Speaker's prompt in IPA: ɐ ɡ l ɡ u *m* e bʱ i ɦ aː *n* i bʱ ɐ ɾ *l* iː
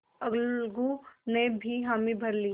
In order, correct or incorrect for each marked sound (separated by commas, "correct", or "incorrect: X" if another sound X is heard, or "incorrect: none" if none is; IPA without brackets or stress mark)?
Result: incorrect: n, incorrect: m, correct